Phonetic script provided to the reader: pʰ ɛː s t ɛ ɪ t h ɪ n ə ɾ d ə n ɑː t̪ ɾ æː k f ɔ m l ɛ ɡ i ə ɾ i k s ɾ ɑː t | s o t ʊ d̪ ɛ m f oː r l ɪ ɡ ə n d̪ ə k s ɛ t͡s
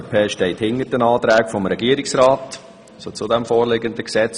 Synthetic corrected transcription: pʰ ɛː ʃ t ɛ ɪ t h ɪ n ə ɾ d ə n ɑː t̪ ɾ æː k f ɔ m ɾ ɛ ɡ i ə ɾ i k s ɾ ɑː t | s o t͡s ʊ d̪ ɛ m f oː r l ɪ ɡ ə n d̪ ə k s ɛ t͡s